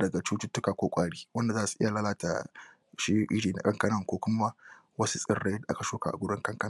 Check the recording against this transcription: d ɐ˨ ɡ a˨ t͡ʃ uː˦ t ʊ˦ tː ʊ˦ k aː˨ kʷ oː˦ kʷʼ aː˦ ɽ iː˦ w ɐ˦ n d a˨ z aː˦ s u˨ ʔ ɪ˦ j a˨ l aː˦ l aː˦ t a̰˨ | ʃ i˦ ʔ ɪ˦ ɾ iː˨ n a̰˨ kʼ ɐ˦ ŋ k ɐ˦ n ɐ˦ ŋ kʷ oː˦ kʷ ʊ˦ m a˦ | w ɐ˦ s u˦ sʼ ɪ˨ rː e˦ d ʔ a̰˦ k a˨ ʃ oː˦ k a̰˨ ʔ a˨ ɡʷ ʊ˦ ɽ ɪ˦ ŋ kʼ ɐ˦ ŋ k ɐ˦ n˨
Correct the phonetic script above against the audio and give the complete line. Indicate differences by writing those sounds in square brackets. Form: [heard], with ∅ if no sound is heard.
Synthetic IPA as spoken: d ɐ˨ ɡ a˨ t͡ʃ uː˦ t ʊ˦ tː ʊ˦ k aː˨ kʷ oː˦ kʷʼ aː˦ ɽ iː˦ w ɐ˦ n d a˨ z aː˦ s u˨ ʔ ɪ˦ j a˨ l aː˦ l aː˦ t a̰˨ | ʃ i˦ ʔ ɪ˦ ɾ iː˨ n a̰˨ kʼ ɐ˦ ŋ k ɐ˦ n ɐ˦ ŋ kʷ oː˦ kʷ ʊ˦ m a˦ | w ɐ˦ s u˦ sʼ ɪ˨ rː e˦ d ʔ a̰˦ k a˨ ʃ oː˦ k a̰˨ ʔ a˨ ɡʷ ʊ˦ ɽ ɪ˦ ŋ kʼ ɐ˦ ŋ k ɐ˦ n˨